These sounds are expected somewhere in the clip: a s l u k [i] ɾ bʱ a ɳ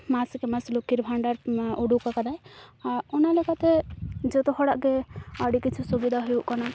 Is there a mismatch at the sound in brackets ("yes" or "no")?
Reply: no